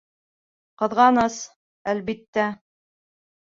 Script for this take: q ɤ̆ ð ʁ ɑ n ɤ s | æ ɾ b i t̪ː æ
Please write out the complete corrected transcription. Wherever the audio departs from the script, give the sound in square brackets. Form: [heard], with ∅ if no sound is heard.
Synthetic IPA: q ɤ̆ ð ʁ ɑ n ɤ s | æ [l] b i t̪ː æ